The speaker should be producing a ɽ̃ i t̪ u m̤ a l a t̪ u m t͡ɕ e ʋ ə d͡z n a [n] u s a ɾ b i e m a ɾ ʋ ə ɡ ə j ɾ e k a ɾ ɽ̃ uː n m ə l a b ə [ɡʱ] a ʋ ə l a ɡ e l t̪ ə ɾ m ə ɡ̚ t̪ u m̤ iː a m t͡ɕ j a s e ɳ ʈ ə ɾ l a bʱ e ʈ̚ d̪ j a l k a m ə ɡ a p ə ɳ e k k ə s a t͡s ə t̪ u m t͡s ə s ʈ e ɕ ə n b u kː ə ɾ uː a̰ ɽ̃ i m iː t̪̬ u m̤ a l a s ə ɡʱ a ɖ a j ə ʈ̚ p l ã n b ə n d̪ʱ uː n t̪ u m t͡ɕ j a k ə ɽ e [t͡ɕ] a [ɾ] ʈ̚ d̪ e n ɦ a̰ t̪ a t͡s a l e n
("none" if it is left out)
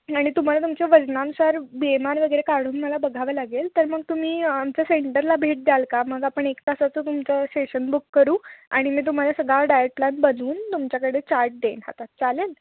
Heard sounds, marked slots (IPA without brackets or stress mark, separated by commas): n, ɡʱ, t͡ɕ, ɾ